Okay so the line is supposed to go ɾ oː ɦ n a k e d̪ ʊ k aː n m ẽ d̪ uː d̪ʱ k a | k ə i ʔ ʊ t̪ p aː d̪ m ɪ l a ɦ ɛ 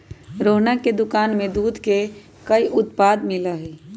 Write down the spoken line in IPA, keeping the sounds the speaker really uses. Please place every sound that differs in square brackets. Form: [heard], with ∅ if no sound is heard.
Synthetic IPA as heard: ɾ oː ɦ n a k e d̪ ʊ k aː n m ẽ d̪ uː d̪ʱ k [e] | k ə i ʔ ʊ t̪ p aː d̪ m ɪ l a ɦ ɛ